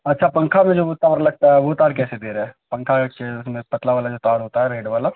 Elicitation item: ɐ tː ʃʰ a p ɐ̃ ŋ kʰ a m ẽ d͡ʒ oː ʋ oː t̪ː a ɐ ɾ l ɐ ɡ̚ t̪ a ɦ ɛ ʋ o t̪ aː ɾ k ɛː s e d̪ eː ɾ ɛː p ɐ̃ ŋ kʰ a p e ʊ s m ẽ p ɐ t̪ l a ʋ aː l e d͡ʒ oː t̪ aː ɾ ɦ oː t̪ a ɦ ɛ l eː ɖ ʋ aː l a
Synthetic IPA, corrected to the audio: ɐ tː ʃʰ a p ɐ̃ ŋ kʰ a m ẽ d͡ʒ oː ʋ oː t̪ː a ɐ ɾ l ɐ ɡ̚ t̪ a ɦ ɛ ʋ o t̪ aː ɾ k ɛː s e d̪ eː ɾ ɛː p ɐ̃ ŋ kʰ a k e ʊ s m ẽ p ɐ t̪ l a ʋ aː l a d͡ʒ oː t̪ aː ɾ ɦ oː t̪ a ɦ ɛ ɾ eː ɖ ʋ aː l a